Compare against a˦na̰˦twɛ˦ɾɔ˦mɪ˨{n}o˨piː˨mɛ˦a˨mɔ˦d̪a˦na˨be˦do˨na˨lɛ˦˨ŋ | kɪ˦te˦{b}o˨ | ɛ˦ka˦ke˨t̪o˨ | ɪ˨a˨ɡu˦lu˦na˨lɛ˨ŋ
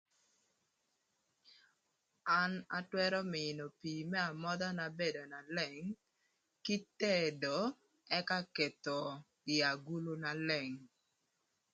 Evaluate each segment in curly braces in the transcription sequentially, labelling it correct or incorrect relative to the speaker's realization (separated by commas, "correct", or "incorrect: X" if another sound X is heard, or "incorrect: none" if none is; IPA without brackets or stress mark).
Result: correct, incorrect: d